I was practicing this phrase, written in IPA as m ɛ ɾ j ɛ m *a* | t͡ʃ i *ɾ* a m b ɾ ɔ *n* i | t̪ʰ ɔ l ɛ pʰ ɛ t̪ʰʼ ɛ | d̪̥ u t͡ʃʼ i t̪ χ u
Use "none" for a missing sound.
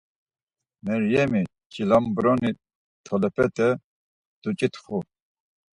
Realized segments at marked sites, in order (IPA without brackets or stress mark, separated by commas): i, l, n